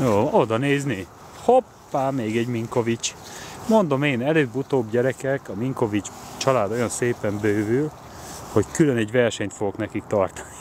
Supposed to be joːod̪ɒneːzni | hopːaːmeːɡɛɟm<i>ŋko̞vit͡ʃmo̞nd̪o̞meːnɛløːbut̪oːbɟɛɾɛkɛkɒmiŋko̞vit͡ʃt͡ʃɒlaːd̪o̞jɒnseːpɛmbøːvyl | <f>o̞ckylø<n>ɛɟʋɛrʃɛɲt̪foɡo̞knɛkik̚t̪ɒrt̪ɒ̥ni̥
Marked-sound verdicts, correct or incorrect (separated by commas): correct, incorrect, correct